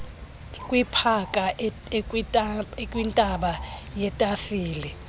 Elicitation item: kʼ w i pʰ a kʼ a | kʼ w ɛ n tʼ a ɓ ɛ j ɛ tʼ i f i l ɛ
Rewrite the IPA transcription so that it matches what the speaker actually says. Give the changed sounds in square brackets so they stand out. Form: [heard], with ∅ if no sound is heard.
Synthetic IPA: kʼ w i pʰ a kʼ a | kʼ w [i] n tʼ a ɓ [a] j ɛ tʼ [a] f [iː] l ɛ